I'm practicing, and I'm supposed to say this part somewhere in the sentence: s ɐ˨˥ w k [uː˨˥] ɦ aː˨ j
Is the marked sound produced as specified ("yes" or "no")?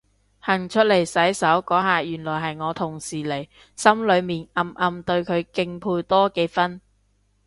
no